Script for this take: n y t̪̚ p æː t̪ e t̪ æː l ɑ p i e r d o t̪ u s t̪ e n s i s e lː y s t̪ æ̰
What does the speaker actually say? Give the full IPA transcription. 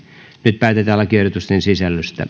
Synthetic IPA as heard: n y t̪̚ p æː t̪ e t̪ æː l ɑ k i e r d o t̪ u s t̪ e n s i s æ lː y s t̪ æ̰

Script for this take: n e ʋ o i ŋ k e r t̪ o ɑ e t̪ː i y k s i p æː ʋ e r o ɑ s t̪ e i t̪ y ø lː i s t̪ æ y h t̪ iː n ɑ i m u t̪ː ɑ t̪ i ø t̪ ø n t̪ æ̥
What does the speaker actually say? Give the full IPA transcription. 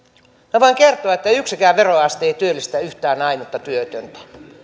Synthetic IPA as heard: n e ʋ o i ŋ k e r t̪ o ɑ e t̪ː æ y k s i k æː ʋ e r o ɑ s t̪ e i t̪ y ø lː i s t̪ æ y h t̪ æː n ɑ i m u t̪ː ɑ t̪ y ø t̪ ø n t̪ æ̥

